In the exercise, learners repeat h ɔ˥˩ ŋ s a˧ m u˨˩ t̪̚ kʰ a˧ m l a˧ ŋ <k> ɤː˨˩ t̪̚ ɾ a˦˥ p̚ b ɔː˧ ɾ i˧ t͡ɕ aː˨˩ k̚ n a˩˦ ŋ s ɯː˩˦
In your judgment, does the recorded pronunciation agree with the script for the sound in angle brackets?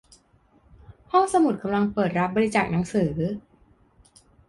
no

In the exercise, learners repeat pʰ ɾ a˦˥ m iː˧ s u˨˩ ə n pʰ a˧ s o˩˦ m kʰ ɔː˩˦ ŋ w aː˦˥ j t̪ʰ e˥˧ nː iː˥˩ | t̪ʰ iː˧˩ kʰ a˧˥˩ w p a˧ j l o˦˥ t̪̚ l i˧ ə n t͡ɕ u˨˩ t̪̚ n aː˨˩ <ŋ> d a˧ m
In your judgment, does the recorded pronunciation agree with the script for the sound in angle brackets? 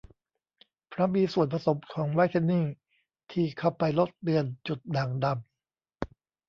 yes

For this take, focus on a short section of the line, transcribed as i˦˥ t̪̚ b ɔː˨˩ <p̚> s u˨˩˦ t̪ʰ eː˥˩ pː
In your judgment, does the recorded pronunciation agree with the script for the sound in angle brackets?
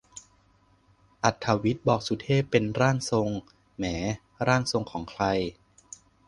no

